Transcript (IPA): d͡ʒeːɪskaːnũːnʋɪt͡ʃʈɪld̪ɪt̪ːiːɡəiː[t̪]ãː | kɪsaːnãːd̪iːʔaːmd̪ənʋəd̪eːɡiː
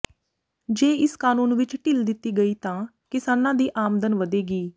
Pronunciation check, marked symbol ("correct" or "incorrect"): correct